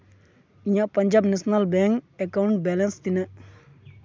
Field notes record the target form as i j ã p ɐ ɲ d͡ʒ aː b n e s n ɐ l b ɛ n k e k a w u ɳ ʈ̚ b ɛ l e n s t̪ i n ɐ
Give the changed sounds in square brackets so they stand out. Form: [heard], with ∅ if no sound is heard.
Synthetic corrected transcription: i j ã p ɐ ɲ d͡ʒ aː b n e s n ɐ l b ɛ [ŋ] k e k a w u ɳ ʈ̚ b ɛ l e n s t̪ i n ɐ